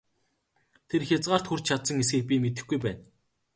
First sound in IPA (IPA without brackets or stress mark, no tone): t̪ʰ